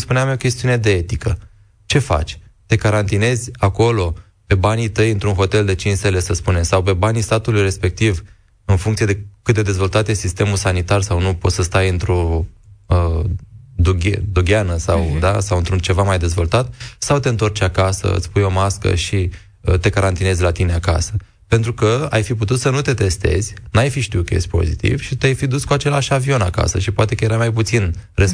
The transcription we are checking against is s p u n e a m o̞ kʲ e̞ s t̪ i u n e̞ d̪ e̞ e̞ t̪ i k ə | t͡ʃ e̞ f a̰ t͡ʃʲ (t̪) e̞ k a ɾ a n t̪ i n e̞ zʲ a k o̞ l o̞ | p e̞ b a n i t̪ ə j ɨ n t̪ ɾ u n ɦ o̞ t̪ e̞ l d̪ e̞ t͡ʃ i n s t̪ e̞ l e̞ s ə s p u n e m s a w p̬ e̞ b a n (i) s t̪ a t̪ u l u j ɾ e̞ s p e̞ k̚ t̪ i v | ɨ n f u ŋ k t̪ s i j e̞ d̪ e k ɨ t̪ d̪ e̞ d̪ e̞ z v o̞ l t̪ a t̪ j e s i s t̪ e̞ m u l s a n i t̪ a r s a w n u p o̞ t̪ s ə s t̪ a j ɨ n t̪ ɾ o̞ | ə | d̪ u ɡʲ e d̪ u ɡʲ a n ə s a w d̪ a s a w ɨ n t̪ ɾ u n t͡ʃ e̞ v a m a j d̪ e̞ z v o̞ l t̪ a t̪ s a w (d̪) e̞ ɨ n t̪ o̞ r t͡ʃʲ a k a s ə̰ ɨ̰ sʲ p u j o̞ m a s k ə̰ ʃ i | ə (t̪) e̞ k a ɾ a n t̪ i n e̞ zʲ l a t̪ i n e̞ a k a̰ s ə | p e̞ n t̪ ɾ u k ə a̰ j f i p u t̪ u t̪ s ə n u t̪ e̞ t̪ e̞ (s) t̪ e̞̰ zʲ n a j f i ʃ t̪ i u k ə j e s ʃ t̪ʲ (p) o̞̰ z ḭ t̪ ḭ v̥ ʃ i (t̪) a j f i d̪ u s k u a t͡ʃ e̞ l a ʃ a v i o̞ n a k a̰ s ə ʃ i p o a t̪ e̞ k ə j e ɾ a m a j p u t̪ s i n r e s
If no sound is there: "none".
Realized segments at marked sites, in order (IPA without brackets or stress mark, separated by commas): t̪, i, t̪, t̪, s, p, t̪